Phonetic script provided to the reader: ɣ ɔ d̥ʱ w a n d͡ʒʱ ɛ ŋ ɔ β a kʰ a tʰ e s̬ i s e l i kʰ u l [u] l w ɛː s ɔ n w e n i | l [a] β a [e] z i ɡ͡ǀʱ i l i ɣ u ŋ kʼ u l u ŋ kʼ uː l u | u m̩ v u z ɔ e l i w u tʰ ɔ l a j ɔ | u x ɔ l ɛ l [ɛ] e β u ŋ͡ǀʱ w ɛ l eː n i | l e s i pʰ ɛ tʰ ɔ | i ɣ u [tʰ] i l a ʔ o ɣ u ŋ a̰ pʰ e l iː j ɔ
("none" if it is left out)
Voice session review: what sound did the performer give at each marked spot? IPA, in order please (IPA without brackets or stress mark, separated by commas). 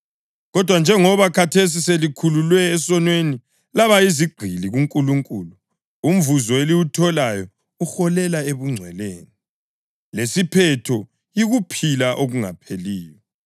u, a, i, a, pʰ